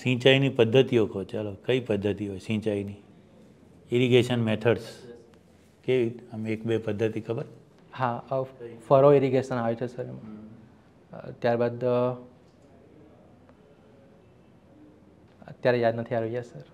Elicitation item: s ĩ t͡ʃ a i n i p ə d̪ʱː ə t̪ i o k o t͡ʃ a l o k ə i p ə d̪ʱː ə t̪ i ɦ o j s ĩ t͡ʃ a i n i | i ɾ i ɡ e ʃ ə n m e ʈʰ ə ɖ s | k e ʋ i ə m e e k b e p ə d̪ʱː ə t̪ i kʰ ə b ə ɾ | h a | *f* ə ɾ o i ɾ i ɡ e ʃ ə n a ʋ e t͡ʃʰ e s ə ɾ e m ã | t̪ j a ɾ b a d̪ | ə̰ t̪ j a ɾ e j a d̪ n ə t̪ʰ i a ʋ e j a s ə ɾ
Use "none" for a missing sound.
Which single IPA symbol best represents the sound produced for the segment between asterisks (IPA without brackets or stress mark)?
f